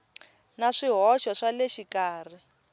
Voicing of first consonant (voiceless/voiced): voiced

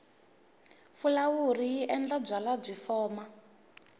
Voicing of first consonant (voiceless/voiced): voiceless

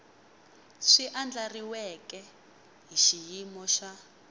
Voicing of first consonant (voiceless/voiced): voiceless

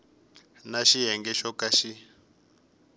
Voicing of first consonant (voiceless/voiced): voiced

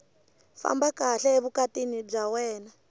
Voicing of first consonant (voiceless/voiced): voiceless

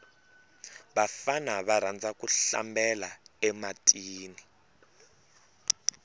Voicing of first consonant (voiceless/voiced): voiced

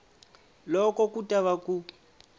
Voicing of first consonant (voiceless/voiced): voiced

